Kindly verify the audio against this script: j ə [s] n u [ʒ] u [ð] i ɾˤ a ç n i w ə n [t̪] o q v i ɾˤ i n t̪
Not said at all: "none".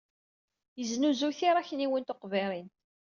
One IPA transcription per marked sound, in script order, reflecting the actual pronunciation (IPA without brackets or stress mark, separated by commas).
z, z, θ, t̪